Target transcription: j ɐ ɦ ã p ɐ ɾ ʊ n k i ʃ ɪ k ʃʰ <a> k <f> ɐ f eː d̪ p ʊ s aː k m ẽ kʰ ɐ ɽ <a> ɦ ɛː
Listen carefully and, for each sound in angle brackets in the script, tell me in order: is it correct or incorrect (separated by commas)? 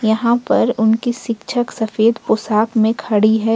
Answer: incorrect, incorrect, incorrect